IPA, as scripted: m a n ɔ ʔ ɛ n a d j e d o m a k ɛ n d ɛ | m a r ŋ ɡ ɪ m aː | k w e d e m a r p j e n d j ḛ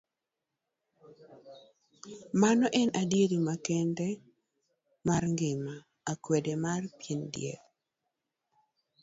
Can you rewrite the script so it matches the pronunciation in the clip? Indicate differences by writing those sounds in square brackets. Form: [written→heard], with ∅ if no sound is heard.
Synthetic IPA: m a n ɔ ʔ ɛ n a d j e d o m a k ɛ n d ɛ | m a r ŋ ɡ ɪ m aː | k w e d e m a r p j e n d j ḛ